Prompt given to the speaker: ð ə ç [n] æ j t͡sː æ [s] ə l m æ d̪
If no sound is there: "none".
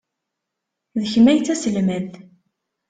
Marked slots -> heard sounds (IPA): m, s

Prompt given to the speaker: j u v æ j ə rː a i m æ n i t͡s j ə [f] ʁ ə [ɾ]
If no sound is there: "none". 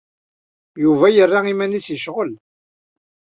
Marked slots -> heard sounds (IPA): ʃ, l

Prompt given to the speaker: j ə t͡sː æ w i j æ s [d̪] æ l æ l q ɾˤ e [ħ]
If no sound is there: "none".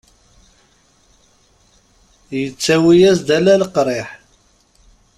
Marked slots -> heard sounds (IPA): d̪, ħ

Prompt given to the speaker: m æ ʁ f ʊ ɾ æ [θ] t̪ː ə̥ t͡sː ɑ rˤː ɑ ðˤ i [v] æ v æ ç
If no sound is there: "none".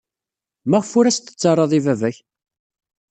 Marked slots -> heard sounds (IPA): s, v

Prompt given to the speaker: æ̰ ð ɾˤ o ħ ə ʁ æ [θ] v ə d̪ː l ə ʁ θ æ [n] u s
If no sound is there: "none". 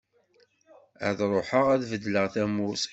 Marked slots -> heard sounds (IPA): ð, m

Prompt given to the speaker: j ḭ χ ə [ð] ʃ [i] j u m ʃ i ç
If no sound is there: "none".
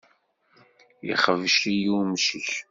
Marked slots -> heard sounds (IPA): v, i

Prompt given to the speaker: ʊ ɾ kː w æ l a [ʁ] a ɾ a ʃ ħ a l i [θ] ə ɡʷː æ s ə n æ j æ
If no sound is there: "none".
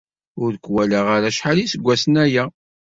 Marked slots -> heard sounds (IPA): ʁ, s

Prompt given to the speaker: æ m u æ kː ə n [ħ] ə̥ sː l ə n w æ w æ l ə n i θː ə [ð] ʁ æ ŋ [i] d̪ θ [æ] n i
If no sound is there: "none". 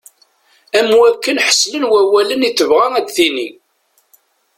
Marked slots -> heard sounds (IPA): ħ, v, æ, i

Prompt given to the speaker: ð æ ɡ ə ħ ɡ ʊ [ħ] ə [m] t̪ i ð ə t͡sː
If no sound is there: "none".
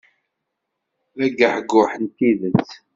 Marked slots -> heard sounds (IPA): ħ, n

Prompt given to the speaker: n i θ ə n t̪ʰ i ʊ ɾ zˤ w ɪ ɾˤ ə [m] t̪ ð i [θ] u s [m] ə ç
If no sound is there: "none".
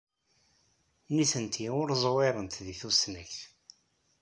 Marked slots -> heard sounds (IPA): n, θ, n

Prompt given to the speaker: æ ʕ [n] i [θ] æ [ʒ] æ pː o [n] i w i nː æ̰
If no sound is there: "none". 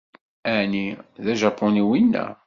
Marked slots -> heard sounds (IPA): n, ð, ʒ, n

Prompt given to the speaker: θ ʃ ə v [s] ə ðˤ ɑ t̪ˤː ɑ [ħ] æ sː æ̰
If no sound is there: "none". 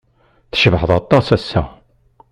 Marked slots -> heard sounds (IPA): ħ, s

